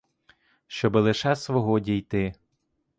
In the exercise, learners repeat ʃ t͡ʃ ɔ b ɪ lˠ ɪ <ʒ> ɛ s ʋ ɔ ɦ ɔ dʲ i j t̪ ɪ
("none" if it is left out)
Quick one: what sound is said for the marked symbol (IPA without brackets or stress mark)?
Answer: ʃ